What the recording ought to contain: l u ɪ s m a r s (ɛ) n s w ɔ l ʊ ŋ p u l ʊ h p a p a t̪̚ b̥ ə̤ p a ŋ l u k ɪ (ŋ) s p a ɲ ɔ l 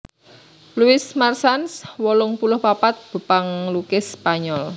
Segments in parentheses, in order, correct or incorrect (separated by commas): incorrect, incorrect